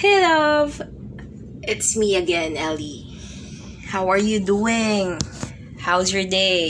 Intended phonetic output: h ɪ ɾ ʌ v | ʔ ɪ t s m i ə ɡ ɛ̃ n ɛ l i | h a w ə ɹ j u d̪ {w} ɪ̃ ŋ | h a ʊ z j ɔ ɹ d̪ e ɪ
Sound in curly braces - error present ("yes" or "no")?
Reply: yes